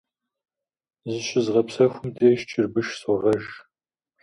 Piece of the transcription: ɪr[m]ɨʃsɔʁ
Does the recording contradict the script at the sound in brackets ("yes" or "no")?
yes